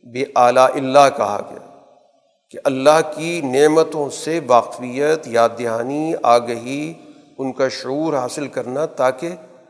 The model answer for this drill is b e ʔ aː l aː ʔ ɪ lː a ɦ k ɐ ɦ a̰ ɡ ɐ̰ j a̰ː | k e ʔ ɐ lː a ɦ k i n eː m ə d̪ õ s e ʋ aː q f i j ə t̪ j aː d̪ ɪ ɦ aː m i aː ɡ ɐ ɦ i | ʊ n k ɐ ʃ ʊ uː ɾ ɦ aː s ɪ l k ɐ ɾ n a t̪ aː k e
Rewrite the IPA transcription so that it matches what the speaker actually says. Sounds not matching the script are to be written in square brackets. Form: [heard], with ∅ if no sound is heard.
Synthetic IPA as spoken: b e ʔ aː l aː ʔ ɪ lː a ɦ k ɐ ɦ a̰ ɡ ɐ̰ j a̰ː | k e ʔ ɐ lː a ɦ k i n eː m ə [t̪] õ s e ʋ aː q f i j ə t̪ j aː d̪ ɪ ɦ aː [n] i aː ɡ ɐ ɦ i | ʊ n k [a] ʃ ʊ uː ɾ ɦ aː s ɪ l k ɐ ɾ n a t̪ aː k e